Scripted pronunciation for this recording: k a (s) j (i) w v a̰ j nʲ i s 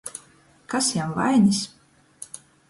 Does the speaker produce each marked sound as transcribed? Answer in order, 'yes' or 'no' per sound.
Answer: yes, no

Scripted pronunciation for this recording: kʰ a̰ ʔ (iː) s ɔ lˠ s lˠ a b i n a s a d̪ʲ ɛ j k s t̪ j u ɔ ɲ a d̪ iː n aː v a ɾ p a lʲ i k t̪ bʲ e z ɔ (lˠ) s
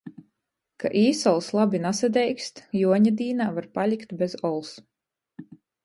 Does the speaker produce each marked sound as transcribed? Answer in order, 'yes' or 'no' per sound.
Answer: yes, yes

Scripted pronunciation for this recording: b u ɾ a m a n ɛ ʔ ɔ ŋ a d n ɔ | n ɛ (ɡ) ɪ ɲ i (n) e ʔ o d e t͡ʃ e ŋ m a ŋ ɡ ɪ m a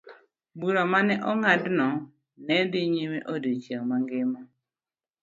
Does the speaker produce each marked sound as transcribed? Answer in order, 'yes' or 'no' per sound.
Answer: no, no

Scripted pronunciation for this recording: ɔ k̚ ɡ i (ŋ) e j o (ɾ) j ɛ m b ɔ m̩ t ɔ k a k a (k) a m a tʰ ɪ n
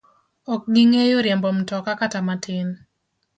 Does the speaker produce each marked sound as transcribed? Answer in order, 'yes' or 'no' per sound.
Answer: yes, yes, no

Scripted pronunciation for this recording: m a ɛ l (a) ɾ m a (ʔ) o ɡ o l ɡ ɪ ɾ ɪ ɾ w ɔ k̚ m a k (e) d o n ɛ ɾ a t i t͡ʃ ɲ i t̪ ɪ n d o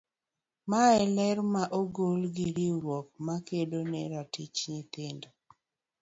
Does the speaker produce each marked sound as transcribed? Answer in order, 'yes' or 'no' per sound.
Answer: no, yes, yes

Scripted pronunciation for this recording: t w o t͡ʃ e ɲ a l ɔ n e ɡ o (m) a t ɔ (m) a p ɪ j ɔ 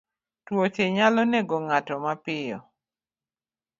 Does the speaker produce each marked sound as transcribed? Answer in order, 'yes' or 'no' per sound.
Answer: no, yes

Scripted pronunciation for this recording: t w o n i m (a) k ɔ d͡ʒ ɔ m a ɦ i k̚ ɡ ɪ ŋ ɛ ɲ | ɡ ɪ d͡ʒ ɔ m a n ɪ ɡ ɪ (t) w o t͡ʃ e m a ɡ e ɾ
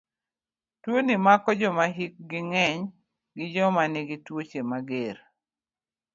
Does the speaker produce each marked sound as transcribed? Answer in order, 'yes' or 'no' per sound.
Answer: yes, yes

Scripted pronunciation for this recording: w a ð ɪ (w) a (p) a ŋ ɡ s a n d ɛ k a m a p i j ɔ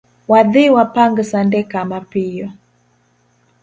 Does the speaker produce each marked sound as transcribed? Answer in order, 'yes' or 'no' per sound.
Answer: yes, yes

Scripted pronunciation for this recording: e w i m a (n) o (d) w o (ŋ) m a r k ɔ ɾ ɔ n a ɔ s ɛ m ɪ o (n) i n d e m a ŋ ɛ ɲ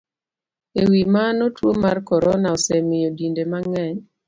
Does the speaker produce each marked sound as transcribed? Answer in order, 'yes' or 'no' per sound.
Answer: yes, no, no, no

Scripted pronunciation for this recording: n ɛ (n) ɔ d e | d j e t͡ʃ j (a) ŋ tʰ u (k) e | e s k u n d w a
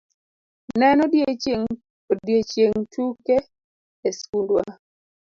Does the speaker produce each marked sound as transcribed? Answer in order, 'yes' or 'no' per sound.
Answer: yes, no, yes

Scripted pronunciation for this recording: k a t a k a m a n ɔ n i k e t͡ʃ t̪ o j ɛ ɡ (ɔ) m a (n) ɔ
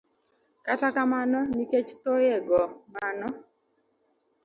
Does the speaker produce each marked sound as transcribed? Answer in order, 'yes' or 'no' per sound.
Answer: yes, yes

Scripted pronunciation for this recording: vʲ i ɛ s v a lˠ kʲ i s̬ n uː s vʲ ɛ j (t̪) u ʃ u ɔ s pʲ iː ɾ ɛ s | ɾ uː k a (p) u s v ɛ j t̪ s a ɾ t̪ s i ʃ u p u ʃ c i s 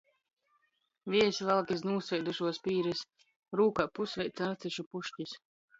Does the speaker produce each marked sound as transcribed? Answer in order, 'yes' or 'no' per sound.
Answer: no, yes

